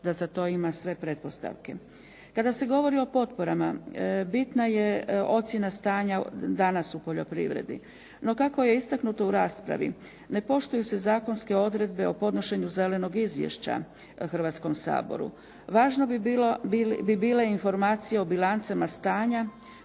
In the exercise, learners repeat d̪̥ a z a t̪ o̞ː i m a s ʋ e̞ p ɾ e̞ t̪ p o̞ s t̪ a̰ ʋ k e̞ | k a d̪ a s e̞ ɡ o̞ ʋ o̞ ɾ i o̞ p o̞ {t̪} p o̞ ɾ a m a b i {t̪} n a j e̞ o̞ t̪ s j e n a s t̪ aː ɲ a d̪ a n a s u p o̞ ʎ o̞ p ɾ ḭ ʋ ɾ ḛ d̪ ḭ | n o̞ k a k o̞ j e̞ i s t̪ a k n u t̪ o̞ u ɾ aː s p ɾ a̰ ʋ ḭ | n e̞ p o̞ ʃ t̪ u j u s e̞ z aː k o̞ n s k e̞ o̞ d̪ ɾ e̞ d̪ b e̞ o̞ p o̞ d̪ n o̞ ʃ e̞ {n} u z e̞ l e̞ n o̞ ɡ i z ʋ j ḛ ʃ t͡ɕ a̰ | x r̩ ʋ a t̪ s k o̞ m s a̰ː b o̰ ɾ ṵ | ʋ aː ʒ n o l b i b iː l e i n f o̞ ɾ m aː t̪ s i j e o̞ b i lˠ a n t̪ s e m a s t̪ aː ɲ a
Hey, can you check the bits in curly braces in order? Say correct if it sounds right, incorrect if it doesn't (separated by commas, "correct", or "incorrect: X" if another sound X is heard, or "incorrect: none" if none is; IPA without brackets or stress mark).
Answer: correct, correct, incorrect: ɲ